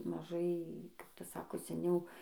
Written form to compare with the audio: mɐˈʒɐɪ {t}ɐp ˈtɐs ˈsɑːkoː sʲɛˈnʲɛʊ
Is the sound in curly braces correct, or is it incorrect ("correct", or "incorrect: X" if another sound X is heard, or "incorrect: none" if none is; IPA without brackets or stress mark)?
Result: incorrect: k